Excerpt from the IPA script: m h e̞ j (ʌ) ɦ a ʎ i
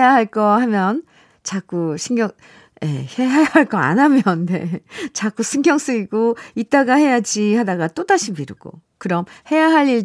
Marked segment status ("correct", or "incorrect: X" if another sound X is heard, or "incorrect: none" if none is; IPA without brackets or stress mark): incorrect: a